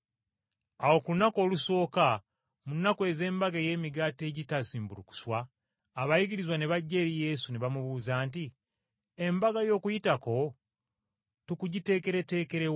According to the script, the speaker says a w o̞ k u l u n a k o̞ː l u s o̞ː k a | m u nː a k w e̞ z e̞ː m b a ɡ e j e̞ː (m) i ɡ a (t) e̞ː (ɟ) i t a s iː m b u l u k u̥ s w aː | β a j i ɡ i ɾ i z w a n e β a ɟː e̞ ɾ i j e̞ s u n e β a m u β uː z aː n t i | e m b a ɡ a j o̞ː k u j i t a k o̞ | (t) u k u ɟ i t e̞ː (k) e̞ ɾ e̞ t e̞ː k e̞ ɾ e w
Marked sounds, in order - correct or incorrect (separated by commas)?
correct, correct, correct, correct, correct